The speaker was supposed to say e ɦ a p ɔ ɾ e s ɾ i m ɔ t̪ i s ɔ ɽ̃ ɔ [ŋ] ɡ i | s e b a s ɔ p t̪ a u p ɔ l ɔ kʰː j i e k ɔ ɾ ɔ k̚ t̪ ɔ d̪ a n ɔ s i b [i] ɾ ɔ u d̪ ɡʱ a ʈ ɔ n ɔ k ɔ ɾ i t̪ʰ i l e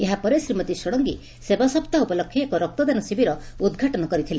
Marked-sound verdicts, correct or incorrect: correct, correct

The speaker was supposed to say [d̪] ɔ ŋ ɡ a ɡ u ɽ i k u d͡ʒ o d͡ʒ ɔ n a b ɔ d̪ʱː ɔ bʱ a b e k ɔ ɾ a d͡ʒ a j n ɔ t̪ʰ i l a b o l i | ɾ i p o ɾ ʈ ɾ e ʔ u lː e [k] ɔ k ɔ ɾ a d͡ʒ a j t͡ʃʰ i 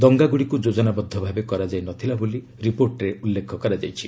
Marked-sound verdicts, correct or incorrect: correct, incorrect

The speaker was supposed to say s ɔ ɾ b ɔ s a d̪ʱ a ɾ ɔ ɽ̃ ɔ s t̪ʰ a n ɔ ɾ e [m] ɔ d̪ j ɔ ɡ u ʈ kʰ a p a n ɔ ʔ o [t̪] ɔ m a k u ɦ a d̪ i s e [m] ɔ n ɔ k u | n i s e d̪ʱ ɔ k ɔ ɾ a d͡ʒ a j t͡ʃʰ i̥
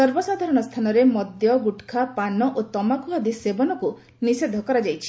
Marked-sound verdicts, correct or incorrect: correct, correct, incorrect

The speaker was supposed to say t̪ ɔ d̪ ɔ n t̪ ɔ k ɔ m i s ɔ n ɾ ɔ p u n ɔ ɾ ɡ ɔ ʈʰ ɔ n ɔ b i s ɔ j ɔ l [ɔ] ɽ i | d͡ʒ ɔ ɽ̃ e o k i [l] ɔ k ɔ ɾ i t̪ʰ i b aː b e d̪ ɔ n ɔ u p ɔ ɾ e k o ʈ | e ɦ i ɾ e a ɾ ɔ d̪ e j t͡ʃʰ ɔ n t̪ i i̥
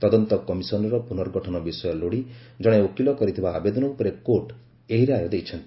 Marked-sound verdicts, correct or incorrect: incorrect, correct

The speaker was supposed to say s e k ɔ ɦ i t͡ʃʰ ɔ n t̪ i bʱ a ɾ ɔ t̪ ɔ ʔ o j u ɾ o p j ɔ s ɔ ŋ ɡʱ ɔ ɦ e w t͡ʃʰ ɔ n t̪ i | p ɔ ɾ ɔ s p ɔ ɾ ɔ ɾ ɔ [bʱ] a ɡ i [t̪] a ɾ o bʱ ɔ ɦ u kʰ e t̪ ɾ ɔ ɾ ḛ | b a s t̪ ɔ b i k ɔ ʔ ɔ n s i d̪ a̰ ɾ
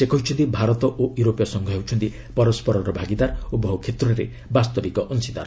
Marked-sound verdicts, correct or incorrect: correct, incorrect

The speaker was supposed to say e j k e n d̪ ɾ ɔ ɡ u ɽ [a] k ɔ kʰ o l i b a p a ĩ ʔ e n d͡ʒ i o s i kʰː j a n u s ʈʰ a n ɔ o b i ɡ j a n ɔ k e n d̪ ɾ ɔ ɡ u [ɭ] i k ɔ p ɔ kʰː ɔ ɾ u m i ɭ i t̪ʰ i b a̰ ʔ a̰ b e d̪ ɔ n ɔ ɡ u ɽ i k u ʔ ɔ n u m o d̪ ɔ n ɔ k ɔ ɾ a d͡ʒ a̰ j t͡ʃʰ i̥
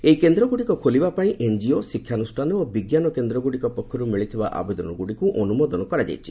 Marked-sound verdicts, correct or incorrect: incorrect, incorrect

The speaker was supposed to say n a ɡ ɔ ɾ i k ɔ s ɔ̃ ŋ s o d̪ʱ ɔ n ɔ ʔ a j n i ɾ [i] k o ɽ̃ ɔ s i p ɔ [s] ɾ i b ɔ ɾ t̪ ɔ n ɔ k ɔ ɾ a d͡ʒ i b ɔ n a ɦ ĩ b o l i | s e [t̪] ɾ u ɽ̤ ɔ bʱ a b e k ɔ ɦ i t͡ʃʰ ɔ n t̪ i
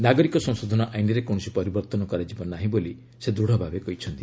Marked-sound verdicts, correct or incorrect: incorrect, incorrect, incorrect

